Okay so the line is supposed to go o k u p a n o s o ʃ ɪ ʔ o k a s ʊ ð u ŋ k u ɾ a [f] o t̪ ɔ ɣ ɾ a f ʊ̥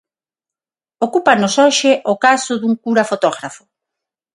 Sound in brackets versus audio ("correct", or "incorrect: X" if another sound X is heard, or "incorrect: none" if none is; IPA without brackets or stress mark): correct